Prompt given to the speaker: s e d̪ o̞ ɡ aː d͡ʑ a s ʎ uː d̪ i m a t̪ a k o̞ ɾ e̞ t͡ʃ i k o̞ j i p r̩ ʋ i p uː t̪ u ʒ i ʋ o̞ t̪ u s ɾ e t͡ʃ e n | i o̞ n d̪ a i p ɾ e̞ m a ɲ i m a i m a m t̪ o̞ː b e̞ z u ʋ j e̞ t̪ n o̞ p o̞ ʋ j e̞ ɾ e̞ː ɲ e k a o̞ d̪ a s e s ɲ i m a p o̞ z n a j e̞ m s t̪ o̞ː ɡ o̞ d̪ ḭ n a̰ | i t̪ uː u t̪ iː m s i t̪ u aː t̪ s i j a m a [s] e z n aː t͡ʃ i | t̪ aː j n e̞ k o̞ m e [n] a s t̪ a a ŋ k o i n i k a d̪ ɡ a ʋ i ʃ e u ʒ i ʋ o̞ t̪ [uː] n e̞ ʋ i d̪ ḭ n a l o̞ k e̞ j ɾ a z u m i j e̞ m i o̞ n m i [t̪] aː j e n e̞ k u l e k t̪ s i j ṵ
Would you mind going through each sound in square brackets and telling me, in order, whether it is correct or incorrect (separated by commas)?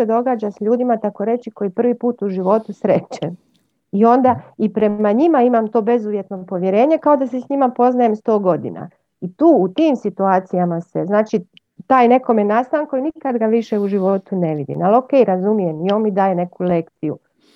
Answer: correct, correct, incorrect, incorrect